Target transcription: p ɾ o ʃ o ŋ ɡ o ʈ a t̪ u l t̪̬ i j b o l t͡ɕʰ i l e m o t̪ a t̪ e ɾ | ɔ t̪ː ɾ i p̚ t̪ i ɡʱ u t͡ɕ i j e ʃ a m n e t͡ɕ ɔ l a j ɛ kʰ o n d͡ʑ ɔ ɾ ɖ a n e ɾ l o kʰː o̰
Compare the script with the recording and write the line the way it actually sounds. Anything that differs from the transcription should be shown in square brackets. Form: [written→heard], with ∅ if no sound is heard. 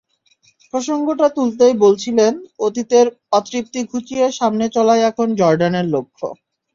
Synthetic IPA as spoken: p ɾ o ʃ o ŋ ɡ o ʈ a t̪ u l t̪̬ [i→e] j b o l t͡ɕʰ i l e [m→n] o t̪ [a→i] t̪ e ɾ | ɔ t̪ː ɾ i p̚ t̪ i ɡʱ u t͡ɕ i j e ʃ a m n e t͡ɕ ɔ l a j ɛ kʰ o n d͡ʑ ɔ ɾ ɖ a n e ɾ l o kʰː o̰